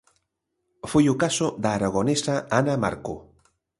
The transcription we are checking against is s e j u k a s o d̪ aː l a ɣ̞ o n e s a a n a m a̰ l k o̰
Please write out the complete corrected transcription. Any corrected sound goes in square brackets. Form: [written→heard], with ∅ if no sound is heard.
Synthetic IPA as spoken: [s→f] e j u k a s o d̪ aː [l→ɾ] a ɣ̞ o n e s a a n a m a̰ [l→ɾ] k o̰